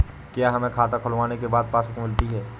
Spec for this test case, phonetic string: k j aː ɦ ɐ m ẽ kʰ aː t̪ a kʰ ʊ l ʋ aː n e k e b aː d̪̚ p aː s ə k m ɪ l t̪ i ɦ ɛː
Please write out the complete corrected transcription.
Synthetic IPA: k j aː ɦ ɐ m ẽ kʰ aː t̪ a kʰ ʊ l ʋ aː n e k e b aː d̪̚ p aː s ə k m ɪ l t̪ i ɦ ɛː